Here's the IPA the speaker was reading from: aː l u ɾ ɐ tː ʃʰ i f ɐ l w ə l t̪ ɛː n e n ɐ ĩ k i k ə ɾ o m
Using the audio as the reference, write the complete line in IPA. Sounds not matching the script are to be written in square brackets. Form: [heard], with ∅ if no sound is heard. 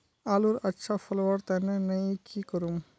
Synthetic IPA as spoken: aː l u ɾ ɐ tː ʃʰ [a] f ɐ l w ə [ɾ] t̪ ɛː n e n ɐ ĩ k i k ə ɾ [u] m